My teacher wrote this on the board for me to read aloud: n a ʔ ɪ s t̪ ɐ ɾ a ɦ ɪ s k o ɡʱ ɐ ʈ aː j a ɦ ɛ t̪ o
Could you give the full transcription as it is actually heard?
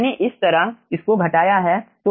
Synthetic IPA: n e ʔ ɪ s t̪ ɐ ɾ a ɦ ɪ s k o ɡʱ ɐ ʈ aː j a ɦ ɛ t̪ o